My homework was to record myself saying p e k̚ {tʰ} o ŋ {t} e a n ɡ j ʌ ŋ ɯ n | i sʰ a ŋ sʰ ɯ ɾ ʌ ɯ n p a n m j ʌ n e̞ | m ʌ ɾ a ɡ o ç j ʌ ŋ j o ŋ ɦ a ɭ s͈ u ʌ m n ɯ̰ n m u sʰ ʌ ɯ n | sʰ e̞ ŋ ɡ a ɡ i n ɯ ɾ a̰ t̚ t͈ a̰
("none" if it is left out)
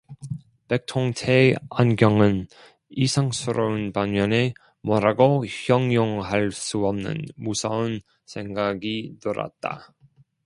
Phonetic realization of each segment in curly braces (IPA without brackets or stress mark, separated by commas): tʰ, tʰ